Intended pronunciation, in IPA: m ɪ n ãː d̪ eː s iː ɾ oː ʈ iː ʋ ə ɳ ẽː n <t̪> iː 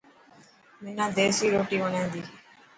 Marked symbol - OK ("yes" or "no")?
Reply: no